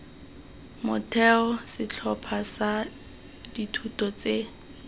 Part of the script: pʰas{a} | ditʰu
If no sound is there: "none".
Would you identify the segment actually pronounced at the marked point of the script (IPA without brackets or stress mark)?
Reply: a